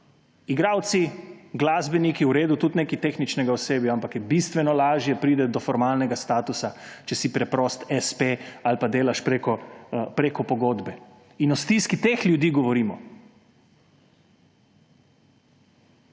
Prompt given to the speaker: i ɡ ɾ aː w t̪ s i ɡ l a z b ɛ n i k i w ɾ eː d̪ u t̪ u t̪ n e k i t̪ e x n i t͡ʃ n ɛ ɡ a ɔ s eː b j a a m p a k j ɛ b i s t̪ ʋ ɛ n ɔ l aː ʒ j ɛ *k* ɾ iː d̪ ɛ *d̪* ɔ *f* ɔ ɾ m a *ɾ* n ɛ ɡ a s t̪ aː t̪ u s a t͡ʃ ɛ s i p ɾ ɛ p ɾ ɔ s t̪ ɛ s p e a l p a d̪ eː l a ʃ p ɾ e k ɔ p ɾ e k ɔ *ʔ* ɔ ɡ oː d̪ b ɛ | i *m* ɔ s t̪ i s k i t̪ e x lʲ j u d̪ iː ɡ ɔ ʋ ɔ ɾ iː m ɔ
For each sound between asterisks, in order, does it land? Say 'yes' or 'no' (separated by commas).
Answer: no, yes, yes, no, no, no